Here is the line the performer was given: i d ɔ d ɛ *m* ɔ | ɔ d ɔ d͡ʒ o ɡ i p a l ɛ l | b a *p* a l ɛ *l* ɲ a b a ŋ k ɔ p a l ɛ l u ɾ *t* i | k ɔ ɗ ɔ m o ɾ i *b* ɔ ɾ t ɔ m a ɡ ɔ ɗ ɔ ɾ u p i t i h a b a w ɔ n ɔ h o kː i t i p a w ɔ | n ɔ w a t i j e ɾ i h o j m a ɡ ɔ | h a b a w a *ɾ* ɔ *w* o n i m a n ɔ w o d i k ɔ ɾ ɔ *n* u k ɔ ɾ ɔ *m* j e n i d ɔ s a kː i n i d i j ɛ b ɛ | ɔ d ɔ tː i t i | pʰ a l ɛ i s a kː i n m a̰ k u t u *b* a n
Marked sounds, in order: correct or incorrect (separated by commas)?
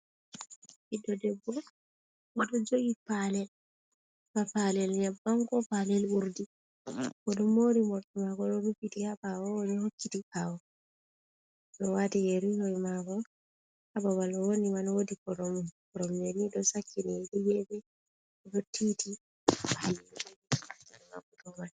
incorrect, correct, correct, incorrect, incorrect, incorrect, correct, incorrect, correct, incorrect